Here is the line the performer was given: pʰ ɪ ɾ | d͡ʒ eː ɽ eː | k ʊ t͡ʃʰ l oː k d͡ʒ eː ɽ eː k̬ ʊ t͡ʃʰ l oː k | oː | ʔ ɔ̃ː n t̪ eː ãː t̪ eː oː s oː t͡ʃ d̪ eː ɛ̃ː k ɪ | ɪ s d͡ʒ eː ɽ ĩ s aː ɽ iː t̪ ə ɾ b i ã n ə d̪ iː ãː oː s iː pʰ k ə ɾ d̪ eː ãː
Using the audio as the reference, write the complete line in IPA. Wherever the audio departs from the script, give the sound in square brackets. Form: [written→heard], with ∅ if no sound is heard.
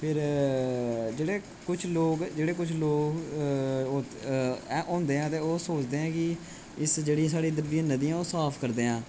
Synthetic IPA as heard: pʰ ɪ ɾ | d͡ʒ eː ɽ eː | k ʊ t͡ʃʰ l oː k d͡ʒ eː ɽ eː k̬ ʊ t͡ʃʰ l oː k | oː | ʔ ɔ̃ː n [t̪→d̪] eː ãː t̪ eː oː s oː t͡ʃ d̪ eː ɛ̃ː k ɪ | ɪ s d͡ʒ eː ɽ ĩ s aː ɽ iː [t̪→d̪] ə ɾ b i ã n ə d̪ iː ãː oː s [iː→aː] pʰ k ə ɾ d̪ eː ãː